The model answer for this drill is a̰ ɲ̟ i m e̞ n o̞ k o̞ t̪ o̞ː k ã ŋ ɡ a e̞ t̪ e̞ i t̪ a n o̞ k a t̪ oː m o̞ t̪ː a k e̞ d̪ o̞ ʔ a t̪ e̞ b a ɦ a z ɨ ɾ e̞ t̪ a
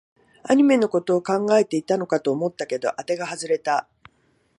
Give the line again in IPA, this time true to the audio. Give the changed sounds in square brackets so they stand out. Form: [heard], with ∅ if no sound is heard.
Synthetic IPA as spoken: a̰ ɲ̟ i m e̞ n o̞ k o̞ t̪ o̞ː k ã ŋ ɡ a e̞ t̪ e̞ i t̪ a n o̞ k a t̪ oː m o̞ t̪ː a k e̞ d̪ o̞ ʔ a t̪ e̞ [ɡ] a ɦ a z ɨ ɾ e̞ t̪ a

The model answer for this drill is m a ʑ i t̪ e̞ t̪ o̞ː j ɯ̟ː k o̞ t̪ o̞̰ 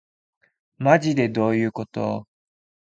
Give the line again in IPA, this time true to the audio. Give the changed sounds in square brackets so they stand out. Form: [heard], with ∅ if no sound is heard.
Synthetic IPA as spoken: m a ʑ i [d̪] e̞ [d̪] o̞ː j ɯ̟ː k o̞ t̪ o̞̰

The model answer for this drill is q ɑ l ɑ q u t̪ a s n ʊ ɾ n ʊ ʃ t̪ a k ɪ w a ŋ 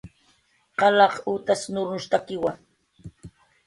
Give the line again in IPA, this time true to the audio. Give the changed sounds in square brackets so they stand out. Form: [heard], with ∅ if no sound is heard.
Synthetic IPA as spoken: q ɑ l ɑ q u t̪ a s n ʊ ɾ n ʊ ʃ t̪ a k ɪ w a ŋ

